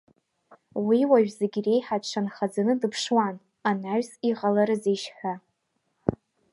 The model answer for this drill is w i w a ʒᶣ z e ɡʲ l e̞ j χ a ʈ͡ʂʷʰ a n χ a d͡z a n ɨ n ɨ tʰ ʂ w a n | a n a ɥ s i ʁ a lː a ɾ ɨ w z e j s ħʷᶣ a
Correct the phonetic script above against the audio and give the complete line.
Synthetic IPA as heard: w i w a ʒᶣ z e ɡʲ r e̞ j ħ a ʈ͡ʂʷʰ a n χ a d͡z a n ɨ d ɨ pʰ ʂ w a n | a n a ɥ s i ʁ a l a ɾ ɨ z e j ʃ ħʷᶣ a